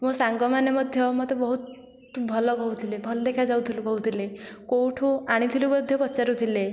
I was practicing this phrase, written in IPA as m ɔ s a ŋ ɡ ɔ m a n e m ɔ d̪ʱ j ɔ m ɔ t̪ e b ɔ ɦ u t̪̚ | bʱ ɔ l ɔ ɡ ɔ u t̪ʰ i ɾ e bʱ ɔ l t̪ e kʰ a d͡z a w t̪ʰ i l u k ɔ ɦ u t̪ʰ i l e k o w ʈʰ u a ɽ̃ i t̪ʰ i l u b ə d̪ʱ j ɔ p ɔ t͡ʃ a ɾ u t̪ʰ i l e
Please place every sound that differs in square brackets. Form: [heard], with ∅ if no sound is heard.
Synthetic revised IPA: m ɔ s a ŋ ɡ ɔ m a n e m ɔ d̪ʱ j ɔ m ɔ t̪ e b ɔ ɦ u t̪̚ | bʱ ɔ l ɔ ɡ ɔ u t̪ʰ i [l] e bʱ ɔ l [d̪] e kʰ a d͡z a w t̪ʰ i l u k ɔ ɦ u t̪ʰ i l e k o w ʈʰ u a ɽ̃ i t̪ʰ i l u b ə d̪ʱ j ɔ p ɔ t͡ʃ a ɾ u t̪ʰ i l e